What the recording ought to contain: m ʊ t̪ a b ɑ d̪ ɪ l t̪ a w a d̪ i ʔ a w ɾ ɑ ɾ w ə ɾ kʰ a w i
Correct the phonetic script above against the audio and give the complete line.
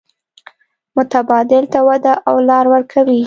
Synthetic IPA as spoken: m ʊ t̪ a b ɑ d̪ ɪ l t̪ a w a d̪ a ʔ a w l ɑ ɾ w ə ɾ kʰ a w i